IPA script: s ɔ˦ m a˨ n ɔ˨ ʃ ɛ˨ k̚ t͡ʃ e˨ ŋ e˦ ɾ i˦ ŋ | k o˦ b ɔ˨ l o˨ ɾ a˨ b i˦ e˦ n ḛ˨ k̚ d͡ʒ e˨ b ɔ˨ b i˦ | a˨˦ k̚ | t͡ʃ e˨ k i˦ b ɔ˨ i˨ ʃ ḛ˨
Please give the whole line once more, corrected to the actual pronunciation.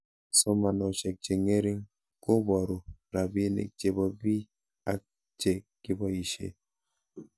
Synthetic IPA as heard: s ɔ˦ m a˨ n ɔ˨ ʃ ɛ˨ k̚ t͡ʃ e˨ ŋ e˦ ɾ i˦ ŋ | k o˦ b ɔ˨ ɾ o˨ ɾ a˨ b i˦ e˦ n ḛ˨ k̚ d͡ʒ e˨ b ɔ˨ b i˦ | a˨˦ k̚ | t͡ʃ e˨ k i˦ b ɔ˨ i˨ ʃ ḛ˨